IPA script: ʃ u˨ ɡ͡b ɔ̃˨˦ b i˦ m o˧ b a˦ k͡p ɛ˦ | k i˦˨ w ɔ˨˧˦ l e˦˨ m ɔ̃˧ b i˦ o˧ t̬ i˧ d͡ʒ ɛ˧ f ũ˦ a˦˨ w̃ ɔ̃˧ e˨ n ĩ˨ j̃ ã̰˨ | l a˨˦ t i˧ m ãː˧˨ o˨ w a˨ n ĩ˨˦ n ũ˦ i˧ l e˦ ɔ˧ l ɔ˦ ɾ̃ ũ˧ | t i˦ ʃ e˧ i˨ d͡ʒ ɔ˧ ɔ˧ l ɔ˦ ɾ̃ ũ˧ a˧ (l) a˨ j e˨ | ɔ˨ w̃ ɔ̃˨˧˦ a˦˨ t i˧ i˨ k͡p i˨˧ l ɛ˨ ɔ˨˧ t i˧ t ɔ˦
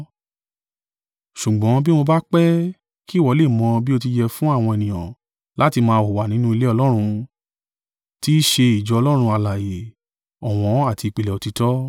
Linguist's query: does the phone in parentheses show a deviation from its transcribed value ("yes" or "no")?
no